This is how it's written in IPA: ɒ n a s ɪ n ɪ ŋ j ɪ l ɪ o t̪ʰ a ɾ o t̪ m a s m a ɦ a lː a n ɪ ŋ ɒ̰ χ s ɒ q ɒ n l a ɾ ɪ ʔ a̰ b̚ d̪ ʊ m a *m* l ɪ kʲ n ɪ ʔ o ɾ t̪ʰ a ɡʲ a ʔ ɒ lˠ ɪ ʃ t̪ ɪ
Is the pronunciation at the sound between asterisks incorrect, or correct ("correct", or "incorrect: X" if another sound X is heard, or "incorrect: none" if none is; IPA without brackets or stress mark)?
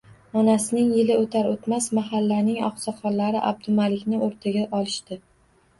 incorrect: none